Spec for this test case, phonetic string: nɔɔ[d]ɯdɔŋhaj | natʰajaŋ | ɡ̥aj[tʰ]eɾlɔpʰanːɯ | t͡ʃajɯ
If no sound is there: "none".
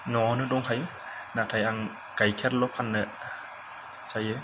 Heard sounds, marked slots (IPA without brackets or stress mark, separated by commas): n, kʰ